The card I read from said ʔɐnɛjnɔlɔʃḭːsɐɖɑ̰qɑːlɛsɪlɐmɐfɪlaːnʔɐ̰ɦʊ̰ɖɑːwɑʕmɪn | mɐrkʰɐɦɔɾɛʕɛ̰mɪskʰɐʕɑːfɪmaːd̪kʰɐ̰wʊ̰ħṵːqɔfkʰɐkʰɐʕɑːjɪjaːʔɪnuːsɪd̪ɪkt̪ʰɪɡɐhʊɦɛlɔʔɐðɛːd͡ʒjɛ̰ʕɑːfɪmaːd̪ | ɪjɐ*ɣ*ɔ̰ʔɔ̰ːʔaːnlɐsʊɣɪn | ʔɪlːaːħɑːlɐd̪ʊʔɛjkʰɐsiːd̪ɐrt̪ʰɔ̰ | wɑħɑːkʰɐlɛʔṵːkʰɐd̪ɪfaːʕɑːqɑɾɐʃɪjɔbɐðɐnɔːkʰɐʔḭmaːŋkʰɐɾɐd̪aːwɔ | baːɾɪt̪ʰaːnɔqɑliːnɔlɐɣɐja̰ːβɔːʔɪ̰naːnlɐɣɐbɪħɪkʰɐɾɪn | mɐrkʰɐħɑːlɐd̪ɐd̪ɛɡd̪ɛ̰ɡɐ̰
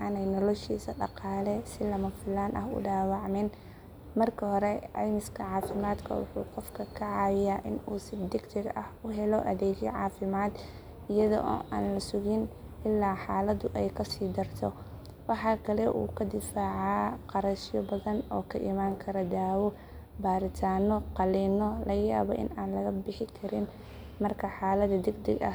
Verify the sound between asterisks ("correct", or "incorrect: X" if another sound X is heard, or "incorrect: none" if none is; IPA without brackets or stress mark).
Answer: incorrect: ð